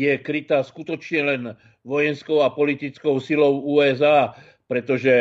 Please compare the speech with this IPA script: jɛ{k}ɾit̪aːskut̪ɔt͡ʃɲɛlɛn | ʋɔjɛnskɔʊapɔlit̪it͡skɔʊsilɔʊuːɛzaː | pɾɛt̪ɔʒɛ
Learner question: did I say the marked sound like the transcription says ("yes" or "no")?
yes